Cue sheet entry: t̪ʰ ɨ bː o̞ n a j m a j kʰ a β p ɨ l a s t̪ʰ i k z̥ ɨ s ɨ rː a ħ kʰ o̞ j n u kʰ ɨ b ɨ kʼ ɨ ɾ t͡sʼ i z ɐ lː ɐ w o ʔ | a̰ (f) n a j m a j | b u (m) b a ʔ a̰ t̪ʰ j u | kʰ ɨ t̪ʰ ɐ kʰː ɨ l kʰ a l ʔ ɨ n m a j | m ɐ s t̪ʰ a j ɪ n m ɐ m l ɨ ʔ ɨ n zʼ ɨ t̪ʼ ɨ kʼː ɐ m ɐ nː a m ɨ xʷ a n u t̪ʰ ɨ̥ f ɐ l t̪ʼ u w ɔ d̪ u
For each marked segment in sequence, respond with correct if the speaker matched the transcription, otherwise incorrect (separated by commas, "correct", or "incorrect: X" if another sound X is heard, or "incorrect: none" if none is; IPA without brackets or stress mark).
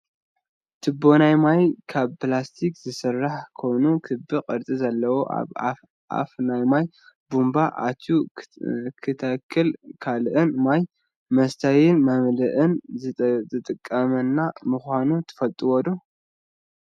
correct, correct